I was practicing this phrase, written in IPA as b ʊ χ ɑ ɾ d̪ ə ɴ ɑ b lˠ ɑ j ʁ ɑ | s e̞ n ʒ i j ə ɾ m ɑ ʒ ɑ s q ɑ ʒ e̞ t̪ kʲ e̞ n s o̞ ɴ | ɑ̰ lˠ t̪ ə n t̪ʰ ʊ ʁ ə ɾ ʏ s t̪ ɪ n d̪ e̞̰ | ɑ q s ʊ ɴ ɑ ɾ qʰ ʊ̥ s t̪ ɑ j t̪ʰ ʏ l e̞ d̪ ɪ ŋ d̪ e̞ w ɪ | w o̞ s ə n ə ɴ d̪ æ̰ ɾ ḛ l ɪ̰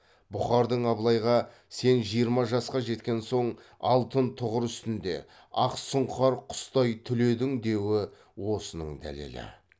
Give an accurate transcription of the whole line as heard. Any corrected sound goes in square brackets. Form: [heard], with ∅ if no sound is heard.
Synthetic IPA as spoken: b ʊ χ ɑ ɾ d̪ ə ɴ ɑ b lˠ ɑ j ʁ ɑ | s e̞ n ʒ i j ə ɾ m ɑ ʒ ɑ s q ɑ ʒ e̞ t̪ kʲ e̞ n s o̞ ɴ | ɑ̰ lˠ t̪ ə n t̪ʰ ʊ ʁ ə ɾ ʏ s t̪ ɪ n d̪ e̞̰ | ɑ q s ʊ ɴ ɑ ɾ qʰ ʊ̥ s t̪ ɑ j t̪ʰ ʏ l e̞ d̪ ɪ ŋ d̪ e̞ w ɪ | w o̞ s ə n ə ɴ d̪ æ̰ [l] ḛ l ɪ̰